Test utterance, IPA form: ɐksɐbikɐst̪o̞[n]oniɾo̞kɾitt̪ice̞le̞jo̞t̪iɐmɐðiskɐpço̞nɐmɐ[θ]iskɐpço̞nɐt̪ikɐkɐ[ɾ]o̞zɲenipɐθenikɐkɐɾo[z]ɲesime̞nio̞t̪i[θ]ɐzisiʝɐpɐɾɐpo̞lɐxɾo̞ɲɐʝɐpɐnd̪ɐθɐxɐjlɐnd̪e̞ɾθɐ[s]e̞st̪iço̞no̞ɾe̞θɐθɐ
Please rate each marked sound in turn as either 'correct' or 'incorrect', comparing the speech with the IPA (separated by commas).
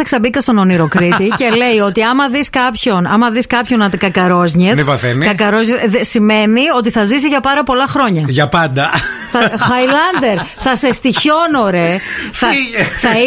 correct, incorrect, correct, correct, correct, correct